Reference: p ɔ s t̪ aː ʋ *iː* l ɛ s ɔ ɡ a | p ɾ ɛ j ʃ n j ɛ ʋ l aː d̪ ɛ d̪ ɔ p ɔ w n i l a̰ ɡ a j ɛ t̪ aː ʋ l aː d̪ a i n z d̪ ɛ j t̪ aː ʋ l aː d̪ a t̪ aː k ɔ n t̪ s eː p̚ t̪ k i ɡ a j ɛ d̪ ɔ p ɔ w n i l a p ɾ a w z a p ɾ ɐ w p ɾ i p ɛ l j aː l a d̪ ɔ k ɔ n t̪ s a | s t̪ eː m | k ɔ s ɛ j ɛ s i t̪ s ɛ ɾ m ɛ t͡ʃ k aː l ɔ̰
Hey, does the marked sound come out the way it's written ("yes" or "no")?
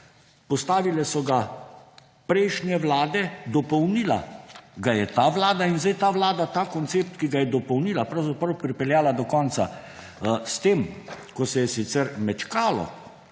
no